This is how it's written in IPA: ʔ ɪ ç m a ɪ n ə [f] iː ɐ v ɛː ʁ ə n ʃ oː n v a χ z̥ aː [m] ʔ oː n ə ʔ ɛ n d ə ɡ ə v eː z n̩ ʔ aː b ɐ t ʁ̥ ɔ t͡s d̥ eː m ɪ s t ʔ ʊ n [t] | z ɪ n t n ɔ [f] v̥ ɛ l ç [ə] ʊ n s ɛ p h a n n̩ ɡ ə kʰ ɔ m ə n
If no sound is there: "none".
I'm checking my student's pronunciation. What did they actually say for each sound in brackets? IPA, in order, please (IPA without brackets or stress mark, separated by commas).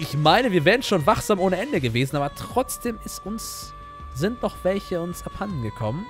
v, m, s, χ, ə